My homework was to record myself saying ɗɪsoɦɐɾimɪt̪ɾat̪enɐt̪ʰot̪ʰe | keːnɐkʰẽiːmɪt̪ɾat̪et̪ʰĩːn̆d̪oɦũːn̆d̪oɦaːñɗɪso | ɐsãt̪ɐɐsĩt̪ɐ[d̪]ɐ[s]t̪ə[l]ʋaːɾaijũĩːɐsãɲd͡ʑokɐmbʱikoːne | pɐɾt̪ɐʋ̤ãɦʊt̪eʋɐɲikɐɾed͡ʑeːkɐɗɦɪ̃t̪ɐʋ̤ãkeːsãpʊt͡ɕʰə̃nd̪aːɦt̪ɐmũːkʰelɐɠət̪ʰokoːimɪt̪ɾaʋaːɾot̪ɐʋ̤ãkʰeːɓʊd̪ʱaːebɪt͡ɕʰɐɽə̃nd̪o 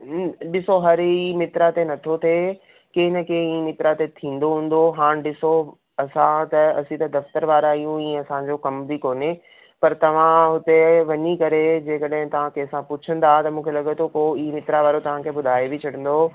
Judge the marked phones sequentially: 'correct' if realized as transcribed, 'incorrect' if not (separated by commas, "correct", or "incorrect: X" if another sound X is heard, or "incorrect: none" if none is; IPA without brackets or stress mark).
correct, incorrect: f, incorrect: ɾ